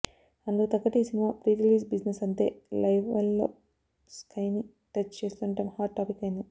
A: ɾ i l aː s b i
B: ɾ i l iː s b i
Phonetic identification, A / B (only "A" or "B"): B